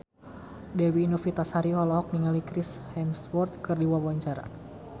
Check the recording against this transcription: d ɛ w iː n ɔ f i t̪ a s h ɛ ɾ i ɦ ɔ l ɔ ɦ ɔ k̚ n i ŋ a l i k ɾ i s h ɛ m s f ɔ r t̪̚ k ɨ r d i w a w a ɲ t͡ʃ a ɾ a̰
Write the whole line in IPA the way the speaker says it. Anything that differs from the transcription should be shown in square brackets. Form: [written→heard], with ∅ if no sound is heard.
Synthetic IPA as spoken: d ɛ w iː n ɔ f i t̪ a s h [ɛ→a] ɾ i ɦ ɔ l ɔ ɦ ɔ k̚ n i ŋ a l i k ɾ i s h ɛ m s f ɔ r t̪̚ k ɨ r d i w a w a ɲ t͡ʃ a ɾ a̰